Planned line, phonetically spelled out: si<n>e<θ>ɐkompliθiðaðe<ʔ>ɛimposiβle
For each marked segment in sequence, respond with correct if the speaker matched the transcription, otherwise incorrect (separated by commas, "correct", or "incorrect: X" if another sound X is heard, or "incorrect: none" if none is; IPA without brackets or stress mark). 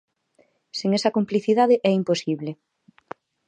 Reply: incorrect: ŋ, incorrect: s, correct